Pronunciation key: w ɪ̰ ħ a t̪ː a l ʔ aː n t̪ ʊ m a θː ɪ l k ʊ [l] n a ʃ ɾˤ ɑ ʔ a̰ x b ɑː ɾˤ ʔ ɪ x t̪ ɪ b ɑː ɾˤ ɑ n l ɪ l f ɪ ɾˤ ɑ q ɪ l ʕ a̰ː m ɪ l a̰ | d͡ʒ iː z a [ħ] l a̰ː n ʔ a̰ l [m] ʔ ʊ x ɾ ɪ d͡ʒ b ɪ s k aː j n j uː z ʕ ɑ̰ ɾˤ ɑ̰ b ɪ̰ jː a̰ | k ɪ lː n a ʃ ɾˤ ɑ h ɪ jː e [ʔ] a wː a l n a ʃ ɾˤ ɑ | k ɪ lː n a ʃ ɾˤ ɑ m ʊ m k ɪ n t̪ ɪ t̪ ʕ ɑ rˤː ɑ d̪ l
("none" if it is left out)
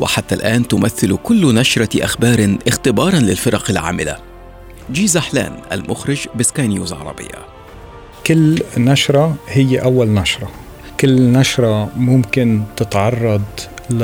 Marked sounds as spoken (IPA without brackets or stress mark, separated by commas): lː, ħ, m, ʔ